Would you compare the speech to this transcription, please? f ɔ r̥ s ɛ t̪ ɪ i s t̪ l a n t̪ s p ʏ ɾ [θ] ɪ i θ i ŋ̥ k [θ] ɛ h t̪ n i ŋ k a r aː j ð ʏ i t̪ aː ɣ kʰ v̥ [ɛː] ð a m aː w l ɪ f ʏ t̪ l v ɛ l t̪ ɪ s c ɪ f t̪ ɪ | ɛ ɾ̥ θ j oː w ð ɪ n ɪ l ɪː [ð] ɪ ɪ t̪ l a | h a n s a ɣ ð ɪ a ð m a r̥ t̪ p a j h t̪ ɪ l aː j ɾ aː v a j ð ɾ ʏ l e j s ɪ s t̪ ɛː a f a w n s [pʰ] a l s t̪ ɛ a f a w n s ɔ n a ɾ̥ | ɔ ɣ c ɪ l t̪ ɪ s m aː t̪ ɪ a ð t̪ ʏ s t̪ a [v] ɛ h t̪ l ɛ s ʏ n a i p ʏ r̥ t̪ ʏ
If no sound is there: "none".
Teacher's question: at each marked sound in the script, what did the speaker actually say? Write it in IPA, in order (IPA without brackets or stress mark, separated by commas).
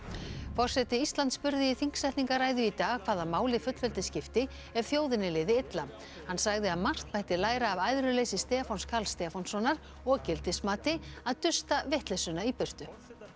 ð, s, aː, ð, kʰ, v